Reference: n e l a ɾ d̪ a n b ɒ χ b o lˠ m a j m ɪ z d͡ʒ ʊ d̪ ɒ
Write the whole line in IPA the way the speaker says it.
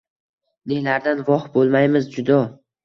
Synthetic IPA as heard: n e l a ɾ d̪ a n v ɒ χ b o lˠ m a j m ɪ z d͡ʒ ʊ d̪ ɒ